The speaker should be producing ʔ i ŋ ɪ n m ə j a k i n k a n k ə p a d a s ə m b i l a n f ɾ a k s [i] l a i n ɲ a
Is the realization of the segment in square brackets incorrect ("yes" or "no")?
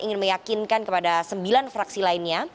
no